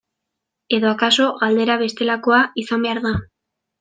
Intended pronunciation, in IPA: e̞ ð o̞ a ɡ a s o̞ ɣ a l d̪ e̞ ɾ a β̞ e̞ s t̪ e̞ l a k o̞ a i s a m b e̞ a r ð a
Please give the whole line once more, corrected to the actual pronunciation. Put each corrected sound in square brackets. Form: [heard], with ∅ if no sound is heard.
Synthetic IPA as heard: e̞ ð o̞ a [k] a s o̞ ɣ a l d̪ e̞ ɾ a β̞ e̞ s t̪ e̞ l a k o̞ a i s a m b e̞ a [ɾ] ð a